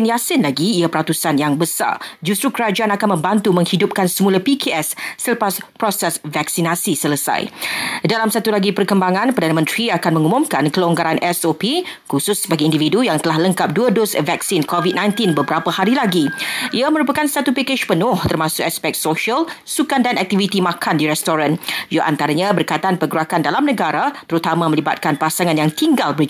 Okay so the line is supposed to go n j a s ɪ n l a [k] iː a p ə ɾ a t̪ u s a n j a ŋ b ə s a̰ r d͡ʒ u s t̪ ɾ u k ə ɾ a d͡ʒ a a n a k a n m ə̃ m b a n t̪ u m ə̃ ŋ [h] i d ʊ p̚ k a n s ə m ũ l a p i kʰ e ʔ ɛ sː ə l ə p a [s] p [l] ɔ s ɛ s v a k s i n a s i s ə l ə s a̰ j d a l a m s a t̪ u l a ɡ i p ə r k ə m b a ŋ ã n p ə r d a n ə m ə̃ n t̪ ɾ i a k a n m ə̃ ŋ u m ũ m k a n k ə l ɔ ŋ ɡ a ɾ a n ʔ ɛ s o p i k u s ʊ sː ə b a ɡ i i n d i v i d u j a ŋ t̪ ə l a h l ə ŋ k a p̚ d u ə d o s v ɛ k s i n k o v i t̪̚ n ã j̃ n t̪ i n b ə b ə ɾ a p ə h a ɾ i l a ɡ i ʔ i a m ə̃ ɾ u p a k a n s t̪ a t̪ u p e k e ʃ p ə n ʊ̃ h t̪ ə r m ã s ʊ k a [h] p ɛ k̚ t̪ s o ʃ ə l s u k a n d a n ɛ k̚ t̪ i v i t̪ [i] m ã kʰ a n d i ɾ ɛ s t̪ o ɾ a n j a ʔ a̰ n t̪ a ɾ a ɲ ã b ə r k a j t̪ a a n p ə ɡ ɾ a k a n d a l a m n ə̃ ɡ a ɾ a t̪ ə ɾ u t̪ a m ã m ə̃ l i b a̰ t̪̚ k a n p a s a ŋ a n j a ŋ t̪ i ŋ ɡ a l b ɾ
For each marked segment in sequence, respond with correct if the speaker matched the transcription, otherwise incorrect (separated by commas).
incorrect, correct, correct, incorrect, incorrect, correct